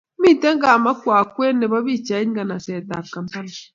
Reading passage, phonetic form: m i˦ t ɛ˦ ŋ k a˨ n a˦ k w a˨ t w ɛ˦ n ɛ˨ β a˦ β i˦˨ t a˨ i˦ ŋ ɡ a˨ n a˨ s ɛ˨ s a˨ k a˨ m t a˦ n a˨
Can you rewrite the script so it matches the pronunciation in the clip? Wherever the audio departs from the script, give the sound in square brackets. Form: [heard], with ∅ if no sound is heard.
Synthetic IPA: m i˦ t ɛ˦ ŋ [ɡ] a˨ [m] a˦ k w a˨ [k] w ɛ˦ n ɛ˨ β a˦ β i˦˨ [t͡ʃ] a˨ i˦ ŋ ɡ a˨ n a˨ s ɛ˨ [t] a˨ k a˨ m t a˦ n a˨